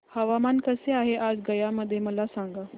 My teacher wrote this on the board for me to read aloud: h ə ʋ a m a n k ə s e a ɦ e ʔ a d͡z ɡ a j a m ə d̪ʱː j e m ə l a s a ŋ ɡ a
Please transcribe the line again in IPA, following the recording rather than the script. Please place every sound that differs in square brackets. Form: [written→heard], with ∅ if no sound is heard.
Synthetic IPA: h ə ʋ a m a n k ə s e a ɦ e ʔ a d͡z ɡ [a→ə] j a m ə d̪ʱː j e m ə l a s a ŋ ɡ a